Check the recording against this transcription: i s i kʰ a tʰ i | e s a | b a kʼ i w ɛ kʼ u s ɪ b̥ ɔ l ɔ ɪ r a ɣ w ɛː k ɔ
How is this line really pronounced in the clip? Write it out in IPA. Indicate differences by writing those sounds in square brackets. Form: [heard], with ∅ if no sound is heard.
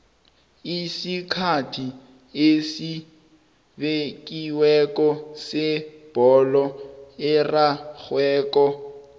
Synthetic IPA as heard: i s i kʰ a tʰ i | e s [i] | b [e] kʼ i w ɛ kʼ [ɔ] s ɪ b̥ ɔ l ɔ ɪ r a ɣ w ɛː k ɔ

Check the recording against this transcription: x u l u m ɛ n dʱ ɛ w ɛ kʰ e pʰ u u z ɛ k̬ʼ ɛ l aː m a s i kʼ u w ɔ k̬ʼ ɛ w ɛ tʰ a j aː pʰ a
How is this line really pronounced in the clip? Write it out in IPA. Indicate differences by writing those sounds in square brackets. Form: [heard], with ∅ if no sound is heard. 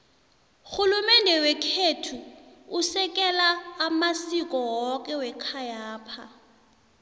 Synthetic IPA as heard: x u l u m ɛ n dʱ ɛ w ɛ kʰ e [tʰ] u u [s] ɛ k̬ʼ ɛ l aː m a s i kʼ [ɔ] w ɔ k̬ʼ ɛ w ɛ [kʰ] a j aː pʰ a

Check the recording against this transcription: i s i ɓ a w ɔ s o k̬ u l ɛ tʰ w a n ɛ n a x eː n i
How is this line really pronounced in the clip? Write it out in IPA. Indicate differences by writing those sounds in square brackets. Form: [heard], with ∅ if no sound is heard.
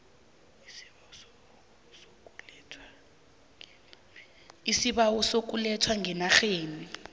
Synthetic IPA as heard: i s i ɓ a w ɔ s o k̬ u l ɛ tʰ w a [ŋ] ɛ n a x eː n i

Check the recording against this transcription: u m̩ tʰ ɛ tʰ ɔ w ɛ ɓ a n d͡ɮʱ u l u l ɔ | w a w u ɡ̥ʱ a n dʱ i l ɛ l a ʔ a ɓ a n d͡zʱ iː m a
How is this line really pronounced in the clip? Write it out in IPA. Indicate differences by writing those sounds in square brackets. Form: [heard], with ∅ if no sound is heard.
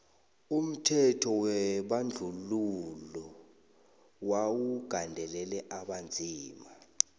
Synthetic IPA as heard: u m̩ tʰ ɛ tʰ ɔ w ɛ ɓ a n d͡ɮʱ u l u l ɔ | w a w u ɡ̥ʱ a n dʱ [ɛ] l ɛ l [ɛ] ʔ a ɓ a n d͡zʱ iː m a

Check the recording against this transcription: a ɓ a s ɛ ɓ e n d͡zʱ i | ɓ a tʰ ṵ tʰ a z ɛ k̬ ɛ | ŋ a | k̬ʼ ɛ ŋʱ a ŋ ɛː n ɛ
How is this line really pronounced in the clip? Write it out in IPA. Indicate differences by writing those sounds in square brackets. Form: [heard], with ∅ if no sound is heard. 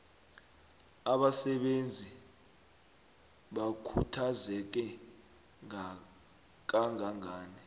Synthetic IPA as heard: a ɓ a s ɛ ɓ e n d͡zʱ i | ɓ a [kʰ] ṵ tʰ a z ɛ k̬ ɛ | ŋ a | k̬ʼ [a] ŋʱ a ŋ [aː] n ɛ

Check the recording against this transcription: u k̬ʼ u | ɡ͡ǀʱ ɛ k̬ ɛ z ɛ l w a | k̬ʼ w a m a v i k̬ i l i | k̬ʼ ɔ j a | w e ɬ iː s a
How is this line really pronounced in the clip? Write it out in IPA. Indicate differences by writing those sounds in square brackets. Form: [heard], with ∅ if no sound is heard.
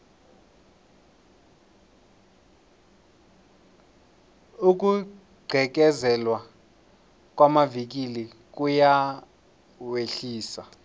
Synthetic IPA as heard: u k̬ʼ u | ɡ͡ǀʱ ɛ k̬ ɛ z ɛ l w a | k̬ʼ w a m a v i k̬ i l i | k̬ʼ [u] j a | w e ɬ iː s a

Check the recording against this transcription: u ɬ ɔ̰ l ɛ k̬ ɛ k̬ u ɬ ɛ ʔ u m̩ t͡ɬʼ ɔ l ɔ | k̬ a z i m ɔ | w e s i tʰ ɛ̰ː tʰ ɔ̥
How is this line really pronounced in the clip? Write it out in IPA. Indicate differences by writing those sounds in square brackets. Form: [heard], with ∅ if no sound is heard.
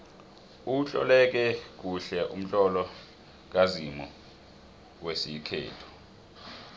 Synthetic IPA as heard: u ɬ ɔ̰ l ɛ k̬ ɛ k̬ u ɬ ɛ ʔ u m̩ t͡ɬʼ ɔ l ɔ | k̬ a z i m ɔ | w e s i [kʰ] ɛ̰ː tʰ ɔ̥

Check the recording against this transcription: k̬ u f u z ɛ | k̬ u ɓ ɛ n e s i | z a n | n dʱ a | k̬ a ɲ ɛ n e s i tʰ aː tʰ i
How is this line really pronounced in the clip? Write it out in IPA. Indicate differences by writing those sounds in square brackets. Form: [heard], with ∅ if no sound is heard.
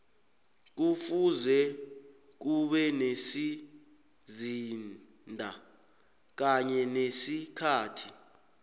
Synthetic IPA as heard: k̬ u f u z ɛ | k̬ u ɓ ɛ n e s i | z [i] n | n dʱ a | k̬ a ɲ ɛ n e s i [kʰ] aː tʰ i

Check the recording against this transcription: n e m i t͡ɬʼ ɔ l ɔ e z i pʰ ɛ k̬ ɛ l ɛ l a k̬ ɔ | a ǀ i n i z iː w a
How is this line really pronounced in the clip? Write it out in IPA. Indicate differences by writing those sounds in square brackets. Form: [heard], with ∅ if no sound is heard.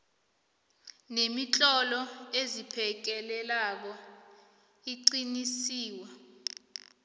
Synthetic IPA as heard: n e m i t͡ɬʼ ɔ l ɔ e z i pʰ ɛ k̬ ɛ l ɛ l a k̬ ɔ | [i] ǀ i n i [s] iː w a

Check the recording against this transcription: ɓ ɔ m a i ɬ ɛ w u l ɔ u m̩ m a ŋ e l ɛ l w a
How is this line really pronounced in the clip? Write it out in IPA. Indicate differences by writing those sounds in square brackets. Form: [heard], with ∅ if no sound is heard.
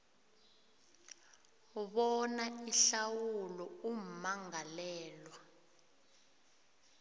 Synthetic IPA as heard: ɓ ɔ [n] a i ɬ [a] w u l ɔ u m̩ m a ŋ [a] l [ɛː] l w a

